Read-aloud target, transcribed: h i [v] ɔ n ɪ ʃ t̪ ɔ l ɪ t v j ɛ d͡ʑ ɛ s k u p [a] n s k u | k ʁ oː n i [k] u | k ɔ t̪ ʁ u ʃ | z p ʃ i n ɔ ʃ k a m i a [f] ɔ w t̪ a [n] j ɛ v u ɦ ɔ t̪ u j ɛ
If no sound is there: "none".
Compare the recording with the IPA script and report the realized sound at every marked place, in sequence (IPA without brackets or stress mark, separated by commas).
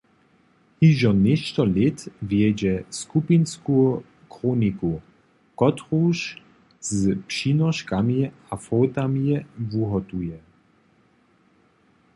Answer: ʒ, i, k, f, m